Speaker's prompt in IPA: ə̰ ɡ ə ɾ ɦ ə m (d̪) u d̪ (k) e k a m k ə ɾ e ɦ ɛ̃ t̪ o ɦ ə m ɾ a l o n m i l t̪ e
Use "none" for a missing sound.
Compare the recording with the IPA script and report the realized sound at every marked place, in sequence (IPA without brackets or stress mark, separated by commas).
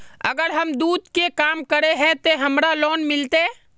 d̪, k